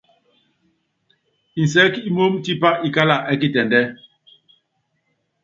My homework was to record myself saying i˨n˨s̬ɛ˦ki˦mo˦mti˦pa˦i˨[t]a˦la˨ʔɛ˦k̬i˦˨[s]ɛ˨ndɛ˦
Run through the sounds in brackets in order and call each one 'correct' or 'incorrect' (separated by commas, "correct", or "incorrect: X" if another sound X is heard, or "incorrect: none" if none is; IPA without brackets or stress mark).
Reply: incorrect: k, incorrect: t